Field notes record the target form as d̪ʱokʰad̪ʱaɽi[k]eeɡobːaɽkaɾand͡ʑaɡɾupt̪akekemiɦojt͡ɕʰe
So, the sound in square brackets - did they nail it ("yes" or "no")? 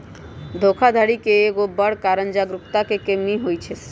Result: yes